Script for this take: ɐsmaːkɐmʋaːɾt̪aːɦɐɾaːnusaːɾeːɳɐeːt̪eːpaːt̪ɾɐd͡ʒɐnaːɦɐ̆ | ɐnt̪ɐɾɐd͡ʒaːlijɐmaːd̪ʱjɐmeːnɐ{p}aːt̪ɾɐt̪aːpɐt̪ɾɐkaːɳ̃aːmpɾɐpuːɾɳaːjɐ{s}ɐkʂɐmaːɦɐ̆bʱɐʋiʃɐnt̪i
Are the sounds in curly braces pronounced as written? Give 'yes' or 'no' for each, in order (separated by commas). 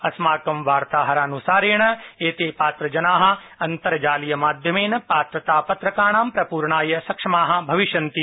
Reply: yes, yes